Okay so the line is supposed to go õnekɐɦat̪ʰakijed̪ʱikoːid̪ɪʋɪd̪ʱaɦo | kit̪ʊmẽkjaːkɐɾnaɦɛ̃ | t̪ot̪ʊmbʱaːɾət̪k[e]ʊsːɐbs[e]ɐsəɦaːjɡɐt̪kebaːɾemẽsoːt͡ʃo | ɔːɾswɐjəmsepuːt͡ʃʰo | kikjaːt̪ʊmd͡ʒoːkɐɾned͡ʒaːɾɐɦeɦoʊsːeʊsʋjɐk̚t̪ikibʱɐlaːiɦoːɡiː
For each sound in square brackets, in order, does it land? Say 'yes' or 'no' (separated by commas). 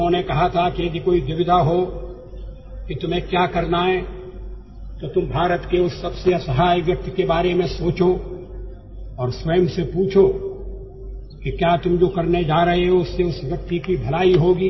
yes, yes